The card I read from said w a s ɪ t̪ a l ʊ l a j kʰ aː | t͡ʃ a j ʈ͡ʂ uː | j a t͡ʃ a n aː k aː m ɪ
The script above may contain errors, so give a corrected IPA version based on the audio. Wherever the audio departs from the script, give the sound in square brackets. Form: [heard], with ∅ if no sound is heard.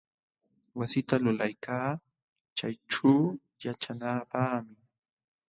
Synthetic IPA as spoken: w a s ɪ t̪ a l ʊ l a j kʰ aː | t͡ʃ a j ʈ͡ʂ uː | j a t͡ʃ a n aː [p] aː m ɪ

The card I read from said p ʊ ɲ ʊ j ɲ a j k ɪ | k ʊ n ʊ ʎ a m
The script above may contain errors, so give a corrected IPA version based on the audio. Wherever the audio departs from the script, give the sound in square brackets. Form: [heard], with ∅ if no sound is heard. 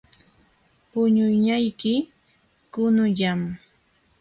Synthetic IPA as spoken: p ʊ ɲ ʊ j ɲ a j k ɪ | k ʊ n ʊ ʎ a m

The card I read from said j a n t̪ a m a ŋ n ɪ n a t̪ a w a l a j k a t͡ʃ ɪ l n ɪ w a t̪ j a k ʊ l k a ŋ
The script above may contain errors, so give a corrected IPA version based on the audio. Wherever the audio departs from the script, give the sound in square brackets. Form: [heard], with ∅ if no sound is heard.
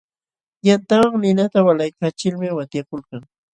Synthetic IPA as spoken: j a n t̪ a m a ŋ n ɪ n a t̪ a w a l a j k a t͡ʃ ɪ l [m] ɪ w a t̪ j a k ʊ l k a ŋ

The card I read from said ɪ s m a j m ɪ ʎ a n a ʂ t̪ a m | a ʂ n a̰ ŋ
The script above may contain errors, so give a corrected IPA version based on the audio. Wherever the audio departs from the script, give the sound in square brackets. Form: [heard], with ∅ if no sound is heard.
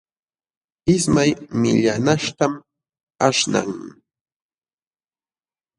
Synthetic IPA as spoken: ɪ s m a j m ɪ ʎ a n a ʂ t̪ a m | a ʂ n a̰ ŋ

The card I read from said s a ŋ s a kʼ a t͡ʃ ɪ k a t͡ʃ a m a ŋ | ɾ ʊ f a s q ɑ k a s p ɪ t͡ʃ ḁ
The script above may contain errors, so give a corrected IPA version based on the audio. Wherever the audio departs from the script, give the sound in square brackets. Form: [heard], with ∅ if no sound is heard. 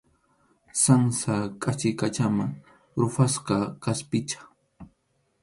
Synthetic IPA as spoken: s a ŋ s a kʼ a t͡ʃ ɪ k a t͡ʃ a m a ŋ | ɾ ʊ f a s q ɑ k a s p ɪ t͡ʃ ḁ

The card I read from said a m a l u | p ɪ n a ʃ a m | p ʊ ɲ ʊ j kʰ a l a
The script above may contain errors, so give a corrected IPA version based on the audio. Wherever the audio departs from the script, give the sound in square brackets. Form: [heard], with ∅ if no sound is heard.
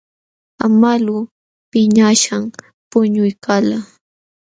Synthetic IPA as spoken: a m a l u | p ɪ [ɲ] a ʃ a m | p ʊ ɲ ʊ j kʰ a l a

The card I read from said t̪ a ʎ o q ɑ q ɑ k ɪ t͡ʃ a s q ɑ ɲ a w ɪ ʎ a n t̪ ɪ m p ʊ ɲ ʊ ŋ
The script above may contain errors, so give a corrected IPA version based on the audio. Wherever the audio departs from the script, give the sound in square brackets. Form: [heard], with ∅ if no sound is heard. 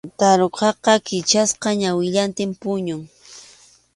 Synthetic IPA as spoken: t̪ a [ɾ] o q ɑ q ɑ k ɪ t͡ʃ a s q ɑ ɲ a w ɪ ʎ a n t̪ ɪ m p ʊ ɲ ʊ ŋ

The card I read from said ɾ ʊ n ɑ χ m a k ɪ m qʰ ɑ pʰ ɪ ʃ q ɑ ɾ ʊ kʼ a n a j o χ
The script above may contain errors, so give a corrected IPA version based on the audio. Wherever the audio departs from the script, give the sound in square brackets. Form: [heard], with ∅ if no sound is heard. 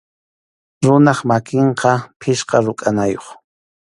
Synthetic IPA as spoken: ɾ ʊ n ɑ χ m a k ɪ [ɴ] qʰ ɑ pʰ ɪ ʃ q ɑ ɾ ʊ kʼ a n a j o χ

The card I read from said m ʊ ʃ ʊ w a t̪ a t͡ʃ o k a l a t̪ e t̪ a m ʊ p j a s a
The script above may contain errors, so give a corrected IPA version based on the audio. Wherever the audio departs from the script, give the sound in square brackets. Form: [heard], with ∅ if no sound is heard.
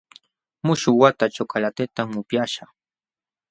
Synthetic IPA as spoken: m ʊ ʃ ʊ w a t̪ a t͡ʃ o k a l a t̪ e t̪ a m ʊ p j a [ʃ] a

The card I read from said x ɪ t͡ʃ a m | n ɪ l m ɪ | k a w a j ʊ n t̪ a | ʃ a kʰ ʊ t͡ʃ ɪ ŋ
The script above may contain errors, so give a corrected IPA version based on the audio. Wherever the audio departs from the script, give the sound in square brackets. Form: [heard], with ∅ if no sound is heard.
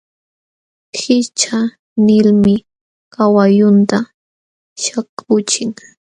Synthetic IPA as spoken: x ɪ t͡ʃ a [∅] | n ɪ l m ɪ | k a w a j ʊ n t̪ a | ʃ a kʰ ʊ t͡ʃ ɪ ŋ

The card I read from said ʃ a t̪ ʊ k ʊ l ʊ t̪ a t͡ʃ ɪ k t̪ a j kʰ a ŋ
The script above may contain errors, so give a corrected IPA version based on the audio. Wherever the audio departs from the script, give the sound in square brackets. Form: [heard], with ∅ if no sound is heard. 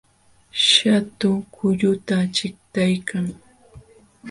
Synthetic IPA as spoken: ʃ a t̪ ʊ k ʊ [ʎ] ʊ t̪ a t͡ʃ ɪ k t̪ a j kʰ a ŋ

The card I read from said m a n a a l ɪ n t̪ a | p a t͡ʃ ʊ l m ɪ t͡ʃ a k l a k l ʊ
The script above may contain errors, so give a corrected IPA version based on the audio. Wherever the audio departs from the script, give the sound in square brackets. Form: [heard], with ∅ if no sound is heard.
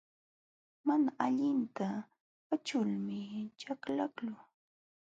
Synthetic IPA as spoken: m a n a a [ʎ] ɪ n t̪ a | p a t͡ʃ ʊ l m ɪ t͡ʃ a k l a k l ʊ

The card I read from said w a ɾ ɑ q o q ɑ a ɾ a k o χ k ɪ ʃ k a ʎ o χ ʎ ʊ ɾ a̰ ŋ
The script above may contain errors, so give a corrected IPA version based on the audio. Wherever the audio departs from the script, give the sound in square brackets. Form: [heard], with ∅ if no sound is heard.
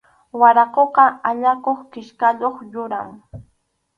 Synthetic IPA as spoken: w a ɾ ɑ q o q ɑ a [ʎ] a k o χ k ɪ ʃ k a ʎ o χ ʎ ʊ ɾ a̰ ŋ

